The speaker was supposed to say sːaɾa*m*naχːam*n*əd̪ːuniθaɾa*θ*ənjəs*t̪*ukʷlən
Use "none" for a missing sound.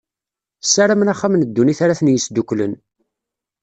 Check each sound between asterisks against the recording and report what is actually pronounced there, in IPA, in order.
m, n, θ, d̪

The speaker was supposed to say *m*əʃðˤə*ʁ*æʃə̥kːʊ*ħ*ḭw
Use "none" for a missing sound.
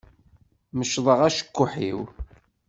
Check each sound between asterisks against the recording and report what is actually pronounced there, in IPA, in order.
m, ʁ, ħ

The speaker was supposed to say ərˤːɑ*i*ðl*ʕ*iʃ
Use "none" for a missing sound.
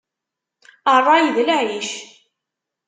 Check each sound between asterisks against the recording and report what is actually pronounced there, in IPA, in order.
j, ʕ

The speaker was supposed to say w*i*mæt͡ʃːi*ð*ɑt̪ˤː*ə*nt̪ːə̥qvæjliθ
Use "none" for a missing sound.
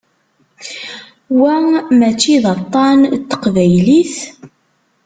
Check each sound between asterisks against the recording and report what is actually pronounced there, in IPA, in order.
æ, ð, ɑ

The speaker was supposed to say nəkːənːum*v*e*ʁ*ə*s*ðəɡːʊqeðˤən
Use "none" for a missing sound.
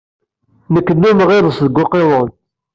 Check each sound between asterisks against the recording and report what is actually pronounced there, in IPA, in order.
ʁ, ð, s

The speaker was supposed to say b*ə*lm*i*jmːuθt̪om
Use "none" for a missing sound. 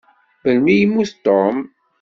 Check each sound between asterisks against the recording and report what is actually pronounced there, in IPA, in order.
ə, i

